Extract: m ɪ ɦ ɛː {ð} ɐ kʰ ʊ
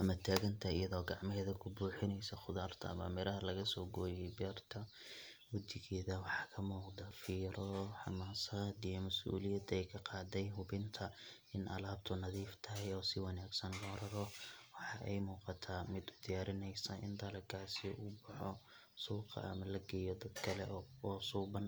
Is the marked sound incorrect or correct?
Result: correct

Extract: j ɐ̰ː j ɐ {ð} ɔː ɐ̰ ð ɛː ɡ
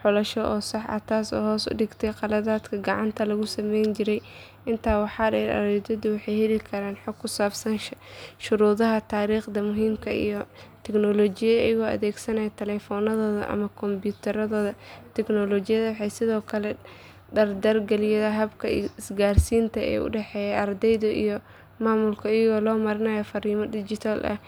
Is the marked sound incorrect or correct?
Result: incorrect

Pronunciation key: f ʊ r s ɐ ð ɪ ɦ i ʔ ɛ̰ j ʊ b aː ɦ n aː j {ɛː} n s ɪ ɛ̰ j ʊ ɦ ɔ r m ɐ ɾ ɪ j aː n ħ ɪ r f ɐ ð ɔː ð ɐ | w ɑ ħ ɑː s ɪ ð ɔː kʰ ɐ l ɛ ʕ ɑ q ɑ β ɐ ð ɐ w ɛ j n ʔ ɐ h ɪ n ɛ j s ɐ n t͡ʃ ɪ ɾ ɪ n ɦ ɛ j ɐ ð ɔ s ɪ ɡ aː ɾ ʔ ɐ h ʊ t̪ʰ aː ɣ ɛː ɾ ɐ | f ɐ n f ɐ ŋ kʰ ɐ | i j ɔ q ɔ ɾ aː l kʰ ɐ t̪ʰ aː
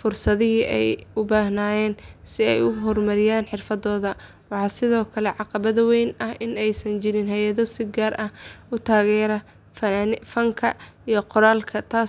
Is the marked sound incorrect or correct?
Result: correct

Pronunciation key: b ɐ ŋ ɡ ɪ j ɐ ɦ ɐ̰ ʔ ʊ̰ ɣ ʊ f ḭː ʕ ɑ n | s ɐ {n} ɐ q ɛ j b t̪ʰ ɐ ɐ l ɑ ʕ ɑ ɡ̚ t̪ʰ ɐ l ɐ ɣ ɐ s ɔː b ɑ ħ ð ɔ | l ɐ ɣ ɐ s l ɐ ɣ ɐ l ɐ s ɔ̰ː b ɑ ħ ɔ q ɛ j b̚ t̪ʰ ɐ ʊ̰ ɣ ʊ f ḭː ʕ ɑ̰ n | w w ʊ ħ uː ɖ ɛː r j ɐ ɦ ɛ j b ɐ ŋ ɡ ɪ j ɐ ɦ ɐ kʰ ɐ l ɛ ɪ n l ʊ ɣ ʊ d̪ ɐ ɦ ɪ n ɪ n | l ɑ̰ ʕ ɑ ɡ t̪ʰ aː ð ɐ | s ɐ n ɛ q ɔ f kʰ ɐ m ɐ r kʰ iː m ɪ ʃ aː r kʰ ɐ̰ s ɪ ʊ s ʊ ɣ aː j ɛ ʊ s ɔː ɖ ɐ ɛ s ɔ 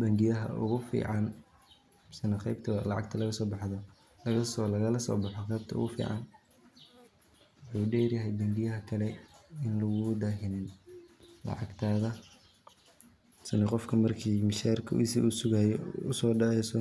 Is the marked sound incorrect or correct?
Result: correct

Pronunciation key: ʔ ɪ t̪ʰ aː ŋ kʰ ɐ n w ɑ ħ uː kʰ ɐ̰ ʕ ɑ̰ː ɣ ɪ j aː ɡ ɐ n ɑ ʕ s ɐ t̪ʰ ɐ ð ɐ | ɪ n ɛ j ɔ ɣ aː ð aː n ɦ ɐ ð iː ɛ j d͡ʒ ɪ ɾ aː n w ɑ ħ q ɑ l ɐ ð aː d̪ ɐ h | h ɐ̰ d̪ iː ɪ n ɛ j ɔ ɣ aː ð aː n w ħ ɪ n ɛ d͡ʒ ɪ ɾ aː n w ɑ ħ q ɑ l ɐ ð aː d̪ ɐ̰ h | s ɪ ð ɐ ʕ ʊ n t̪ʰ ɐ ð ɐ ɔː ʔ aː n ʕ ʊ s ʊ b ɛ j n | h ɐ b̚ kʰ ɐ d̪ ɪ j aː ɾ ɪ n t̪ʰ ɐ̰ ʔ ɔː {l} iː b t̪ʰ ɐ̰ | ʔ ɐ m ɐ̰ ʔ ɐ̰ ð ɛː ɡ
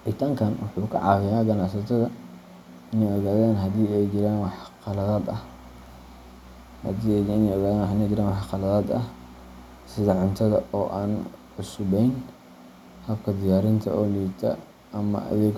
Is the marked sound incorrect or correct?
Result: correct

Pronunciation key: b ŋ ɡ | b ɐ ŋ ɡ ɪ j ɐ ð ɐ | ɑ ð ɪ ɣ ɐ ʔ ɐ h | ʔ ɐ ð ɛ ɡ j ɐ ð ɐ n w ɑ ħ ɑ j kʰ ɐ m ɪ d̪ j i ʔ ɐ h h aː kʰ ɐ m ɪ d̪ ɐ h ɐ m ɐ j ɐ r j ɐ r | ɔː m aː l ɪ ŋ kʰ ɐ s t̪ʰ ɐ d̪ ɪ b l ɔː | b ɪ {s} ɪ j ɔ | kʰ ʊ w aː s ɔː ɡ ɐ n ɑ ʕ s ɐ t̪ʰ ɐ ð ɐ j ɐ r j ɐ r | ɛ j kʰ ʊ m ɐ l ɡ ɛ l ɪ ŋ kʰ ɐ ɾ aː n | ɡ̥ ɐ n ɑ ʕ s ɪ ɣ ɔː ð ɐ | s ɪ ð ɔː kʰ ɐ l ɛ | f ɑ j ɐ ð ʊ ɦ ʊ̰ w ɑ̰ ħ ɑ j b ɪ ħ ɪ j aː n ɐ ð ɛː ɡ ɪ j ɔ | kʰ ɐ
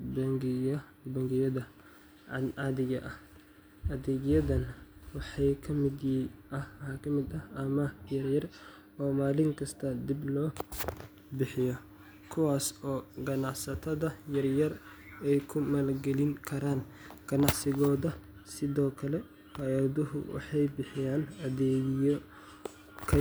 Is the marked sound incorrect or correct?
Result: incorrect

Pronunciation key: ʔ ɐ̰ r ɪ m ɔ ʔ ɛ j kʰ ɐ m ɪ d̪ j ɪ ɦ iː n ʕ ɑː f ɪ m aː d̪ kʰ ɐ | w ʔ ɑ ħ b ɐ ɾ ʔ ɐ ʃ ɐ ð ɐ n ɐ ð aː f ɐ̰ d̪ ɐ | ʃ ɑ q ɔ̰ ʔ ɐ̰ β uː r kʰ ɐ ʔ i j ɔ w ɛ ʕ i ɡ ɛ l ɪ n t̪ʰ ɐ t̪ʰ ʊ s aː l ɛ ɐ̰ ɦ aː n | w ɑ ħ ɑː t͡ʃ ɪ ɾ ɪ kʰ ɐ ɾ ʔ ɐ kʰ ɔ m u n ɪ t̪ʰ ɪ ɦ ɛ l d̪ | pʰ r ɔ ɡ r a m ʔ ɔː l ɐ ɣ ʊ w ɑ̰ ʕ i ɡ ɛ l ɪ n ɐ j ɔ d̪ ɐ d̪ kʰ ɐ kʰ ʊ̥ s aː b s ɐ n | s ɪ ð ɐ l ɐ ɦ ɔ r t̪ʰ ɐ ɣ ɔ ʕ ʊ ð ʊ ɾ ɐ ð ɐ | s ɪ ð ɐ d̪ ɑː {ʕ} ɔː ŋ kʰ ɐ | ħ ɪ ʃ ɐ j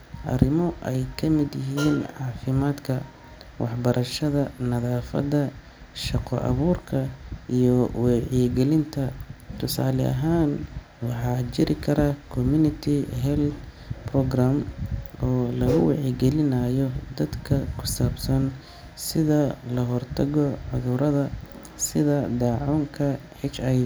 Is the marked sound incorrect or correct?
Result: correct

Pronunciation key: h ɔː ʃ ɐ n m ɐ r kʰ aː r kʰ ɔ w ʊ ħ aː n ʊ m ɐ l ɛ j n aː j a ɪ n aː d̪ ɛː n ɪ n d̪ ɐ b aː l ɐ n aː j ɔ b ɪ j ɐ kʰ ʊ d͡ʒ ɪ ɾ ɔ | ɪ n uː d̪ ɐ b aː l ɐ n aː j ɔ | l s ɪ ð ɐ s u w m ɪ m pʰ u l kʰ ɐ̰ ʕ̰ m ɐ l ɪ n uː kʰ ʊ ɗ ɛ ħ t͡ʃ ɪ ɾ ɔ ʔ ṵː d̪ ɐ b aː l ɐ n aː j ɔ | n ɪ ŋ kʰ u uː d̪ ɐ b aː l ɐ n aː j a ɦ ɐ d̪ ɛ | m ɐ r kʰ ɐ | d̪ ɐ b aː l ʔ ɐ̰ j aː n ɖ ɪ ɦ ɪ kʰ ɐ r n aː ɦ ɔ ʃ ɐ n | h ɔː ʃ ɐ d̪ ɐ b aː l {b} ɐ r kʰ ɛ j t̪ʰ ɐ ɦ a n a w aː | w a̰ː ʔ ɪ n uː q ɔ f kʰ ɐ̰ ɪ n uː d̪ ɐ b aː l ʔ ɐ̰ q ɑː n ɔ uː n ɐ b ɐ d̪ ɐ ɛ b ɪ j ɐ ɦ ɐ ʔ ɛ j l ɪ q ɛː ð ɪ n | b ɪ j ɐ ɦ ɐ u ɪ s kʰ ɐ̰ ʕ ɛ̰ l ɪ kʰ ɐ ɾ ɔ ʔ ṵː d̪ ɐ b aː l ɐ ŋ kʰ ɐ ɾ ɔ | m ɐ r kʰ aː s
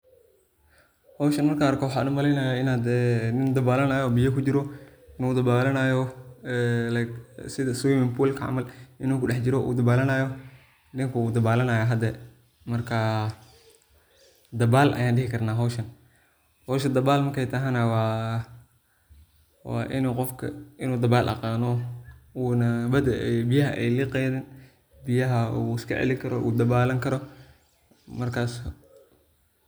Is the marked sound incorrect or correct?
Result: incorrect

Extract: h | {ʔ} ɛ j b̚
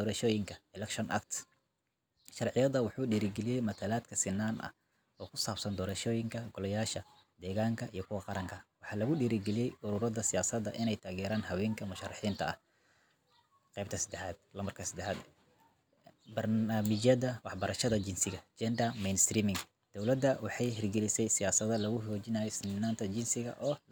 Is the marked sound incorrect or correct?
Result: incorrect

